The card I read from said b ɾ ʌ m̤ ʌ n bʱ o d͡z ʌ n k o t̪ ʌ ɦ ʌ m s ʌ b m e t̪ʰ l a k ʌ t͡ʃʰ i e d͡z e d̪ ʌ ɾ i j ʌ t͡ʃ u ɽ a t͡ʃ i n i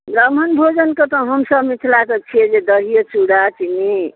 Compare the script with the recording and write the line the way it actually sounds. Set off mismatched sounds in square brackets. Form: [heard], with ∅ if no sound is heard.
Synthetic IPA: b ɾ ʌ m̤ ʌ n bʱ o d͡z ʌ n k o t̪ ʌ ɦ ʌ m s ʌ b m [i] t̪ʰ l a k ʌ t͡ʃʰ i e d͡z e d̪ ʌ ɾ i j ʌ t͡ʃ u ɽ a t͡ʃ i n i